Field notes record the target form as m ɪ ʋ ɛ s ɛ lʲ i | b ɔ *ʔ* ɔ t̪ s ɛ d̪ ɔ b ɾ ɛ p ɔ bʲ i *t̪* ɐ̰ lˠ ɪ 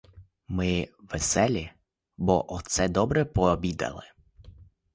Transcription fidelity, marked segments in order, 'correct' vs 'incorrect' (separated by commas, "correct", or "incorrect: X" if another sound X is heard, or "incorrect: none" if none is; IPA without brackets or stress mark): correct, incorrect: d̪